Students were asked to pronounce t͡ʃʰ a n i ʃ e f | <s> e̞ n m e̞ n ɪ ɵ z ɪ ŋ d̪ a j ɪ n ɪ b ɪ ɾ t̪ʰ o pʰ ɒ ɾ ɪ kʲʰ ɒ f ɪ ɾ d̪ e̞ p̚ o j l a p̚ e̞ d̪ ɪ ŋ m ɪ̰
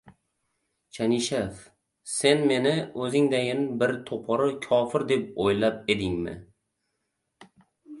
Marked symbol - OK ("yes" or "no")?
yes